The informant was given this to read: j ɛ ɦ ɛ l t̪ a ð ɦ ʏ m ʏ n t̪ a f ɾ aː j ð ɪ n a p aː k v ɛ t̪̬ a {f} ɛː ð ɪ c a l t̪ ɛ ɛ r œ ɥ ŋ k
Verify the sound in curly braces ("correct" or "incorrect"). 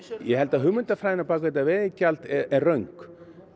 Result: incorrect